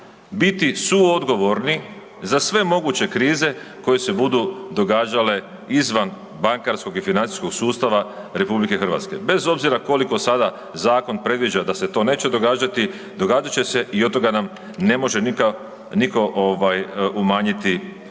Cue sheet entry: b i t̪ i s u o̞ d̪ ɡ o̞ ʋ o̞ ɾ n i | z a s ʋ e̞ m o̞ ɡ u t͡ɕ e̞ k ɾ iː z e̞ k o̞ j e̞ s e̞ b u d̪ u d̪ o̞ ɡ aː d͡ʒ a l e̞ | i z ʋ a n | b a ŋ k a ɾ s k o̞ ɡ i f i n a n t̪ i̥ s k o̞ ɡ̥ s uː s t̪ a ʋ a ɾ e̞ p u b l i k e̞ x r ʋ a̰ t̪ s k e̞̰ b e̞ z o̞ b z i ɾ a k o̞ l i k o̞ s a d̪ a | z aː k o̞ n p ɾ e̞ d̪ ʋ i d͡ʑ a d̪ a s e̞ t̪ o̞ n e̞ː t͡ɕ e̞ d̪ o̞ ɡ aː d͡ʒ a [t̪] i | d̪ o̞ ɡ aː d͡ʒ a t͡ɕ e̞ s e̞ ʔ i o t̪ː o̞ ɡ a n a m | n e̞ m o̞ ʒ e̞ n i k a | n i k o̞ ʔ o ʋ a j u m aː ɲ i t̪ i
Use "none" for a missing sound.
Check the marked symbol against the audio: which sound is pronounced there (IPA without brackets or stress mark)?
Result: t̪